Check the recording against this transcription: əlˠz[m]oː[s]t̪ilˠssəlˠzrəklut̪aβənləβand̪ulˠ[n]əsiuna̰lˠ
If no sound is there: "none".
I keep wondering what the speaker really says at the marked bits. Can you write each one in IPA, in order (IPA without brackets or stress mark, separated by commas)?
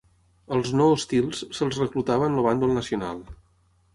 n, s, n